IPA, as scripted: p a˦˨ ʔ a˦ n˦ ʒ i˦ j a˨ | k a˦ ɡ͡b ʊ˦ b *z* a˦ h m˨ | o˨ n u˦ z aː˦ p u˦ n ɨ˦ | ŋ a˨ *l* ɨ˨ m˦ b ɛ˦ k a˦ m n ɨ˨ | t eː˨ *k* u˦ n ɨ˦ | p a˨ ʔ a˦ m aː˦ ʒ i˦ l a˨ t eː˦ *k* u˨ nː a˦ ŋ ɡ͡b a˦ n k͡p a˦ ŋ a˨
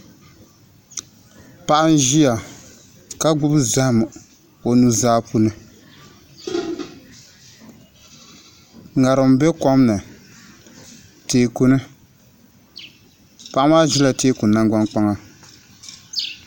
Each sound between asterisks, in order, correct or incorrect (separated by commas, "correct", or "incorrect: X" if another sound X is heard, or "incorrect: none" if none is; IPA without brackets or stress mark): correct, incorrect: ɾ, correct, correct